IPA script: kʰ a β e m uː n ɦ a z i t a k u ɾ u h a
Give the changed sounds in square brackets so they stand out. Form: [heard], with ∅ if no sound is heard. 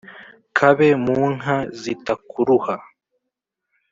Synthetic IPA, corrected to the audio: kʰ a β e m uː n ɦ a z i t a k u ɾ u h a